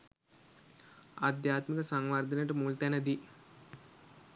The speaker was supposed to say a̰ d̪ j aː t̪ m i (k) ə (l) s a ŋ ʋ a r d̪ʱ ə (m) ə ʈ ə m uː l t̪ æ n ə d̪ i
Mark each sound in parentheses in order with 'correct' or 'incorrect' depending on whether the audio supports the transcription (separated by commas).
correct, incorrect, incorrect